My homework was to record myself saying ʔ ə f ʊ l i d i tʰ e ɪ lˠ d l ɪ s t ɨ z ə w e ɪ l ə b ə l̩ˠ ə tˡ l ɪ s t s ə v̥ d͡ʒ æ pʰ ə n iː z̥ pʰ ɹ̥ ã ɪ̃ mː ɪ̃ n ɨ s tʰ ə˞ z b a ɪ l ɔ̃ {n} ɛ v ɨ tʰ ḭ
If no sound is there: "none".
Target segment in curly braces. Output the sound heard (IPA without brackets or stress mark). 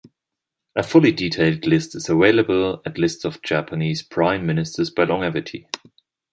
ŋ